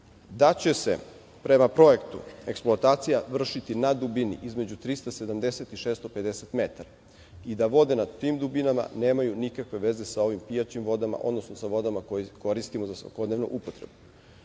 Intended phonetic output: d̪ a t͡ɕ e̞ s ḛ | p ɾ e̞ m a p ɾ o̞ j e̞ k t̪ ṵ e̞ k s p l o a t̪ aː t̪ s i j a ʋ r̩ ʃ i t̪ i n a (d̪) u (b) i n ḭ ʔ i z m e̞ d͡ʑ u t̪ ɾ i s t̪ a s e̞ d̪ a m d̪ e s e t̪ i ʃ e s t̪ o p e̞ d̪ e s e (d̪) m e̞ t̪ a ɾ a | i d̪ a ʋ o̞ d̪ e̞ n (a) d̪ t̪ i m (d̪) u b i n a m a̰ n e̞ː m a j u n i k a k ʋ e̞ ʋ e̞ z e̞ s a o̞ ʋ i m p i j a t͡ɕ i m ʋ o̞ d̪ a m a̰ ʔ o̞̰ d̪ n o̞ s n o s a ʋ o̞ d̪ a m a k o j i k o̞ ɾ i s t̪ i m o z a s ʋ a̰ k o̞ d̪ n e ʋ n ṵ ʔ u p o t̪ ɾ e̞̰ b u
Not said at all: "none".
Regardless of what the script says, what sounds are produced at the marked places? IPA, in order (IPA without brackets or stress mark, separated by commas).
d̪, b, t̪, a, d̪